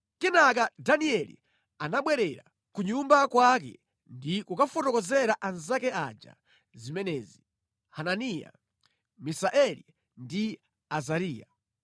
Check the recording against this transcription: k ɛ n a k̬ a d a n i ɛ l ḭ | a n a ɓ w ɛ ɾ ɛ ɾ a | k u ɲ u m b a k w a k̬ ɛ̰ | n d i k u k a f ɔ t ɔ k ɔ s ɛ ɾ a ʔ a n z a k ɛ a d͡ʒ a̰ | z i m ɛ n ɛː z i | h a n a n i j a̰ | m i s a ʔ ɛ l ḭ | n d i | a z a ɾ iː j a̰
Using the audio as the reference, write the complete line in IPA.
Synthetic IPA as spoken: k ɛ n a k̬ a d a n i ɛ l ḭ | a n a ɓ w ɛ ɾ ɛ ɾ a | k u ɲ u m b a k w a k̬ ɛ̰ | n d i k u k a f ɔ t ɔ k ɔ z ɛ ɾ a ʔ a n z a k ɛ a d͡ʒ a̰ | z i m ɛ n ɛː z i | h a n a n i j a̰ | m i s a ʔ ɛ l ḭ | n d i | a z a ɾ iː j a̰